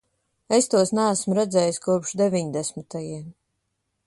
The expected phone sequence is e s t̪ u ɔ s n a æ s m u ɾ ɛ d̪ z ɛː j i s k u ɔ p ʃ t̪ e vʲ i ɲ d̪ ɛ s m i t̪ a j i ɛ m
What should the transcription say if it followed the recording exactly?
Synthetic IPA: e s t̪ u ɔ s n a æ s m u ɾ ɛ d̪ z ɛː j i s k u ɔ p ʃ d̪ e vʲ i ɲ d̪ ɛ s m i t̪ a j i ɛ m